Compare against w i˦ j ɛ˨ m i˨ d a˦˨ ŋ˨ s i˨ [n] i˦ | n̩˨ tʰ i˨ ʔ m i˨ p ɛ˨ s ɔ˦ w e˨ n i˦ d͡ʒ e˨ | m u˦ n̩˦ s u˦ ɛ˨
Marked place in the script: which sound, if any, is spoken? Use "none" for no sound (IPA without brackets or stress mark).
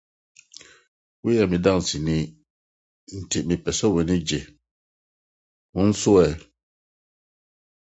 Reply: n